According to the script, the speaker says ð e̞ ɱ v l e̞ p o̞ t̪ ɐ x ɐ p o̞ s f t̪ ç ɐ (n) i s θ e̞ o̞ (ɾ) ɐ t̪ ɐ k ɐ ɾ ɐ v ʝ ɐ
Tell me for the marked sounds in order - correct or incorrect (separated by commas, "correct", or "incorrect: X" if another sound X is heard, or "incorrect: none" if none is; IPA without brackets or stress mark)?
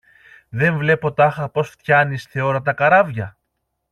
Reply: correct, correct